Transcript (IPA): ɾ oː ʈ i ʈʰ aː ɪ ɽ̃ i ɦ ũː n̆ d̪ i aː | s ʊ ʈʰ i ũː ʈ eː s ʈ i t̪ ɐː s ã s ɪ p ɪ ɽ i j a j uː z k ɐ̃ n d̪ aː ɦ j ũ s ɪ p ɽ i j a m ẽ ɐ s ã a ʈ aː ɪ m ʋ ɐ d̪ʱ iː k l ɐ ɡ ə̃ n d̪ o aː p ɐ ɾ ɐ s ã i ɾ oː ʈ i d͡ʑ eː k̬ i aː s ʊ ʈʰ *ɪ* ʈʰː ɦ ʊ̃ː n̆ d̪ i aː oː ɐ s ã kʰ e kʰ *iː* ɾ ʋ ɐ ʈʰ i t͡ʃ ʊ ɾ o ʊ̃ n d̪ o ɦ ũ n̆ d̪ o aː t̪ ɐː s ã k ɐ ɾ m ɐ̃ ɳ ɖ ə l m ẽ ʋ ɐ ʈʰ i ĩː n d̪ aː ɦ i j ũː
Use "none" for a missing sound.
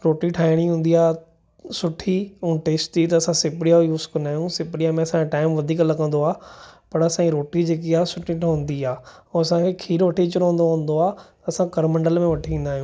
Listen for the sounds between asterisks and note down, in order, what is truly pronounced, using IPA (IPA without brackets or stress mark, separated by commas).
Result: i, iː